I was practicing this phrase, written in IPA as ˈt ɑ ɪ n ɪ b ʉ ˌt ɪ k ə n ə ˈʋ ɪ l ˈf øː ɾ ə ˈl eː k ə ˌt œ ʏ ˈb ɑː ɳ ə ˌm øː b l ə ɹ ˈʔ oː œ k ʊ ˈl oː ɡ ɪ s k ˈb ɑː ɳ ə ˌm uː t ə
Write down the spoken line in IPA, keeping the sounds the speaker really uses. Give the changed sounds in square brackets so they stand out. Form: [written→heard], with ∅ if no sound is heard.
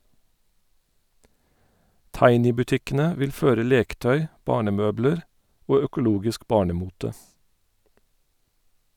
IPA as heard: ˈt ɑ ɪ n ɪ b ʉ ˌt ɪ k ə n ə ˈʋ ɪ l ˈf øː ɾ ə ˈl eː k ə ˌt œ ʏ ˈb ɑː ɳ ə ˌm øː b l ə ɹ ˈʔ oː œ k ʊ ˈl [oː→uː] ɡ ɪ s k ˈb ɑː ɳ ə ˌm uː t ə